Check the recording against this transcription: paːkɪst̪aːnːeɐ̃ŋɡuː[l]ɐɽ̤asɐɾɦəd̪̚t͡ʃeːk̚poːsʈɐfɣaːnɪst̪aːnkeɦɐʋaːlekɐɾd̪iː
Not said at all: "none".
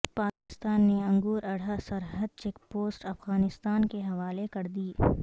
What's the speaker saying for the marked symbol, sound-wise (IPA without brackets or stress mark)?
ɾ